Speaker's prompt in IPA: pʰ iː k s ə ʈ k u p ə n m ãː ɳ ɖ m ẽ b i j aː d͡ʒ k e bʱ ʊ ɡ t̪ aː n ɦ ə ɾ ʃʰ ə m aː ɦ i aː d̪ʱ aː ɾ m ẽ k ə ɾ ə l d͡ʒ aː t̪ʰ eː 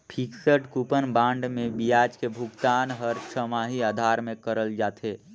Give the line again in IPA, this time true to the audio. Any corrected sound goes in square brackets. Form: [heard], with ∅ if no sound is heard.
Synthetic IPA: pʰ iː k s ə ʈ k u p ə n [b] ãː ɳ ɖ m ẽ b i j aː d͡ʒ k e bʱ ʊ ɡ t̪ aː n ɦ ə ɾ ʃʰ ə m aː ɦ i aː d̪ʱ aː ɾ m ẽ k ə ɾ ə l d͡ʒ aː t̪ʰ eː